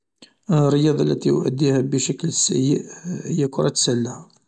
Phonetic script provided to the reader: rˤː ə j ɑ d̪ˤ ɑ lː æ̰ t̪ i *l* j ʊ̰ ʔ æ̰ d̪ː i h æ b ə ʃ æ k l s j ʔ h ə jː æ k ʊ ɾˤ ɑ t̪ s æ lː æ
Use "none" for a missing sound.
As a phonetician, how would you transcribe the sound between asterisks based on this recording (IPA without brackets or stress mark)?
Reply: none